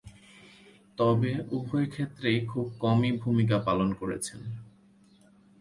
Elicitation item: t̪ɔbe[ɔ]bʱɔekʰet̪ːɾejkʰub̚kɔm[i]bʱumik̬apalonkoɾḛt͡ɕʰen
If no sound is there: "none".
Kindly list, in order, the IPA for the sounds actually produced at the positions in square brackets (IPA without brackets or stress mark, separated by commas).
u, i